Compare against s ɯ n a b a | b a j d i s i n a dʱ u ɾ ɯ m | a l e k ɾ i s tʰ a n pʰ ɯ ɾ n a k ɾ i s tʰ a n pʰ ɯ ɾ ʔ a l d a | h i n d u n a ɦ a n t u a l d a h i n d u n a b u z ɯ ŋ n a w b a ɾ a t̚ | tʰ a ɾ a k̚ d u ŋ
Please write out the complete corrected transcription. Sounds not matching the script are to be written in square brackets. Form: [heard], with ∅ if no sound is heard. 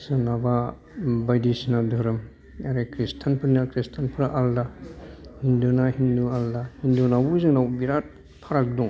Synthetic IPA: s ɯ n a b a | b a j d i s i n a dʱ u ɾ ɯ m | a [ɾ] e k ɾ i s tʰ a n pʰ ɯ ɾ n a k ɾ i s tʰ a n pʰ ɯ ɾ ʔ a l d a | h i n d u n a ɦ [i] n [d] u a l d a h i n d u n a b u z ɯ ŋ n a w b [i] ɾ a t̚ | [pʰ] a ɾ a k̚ d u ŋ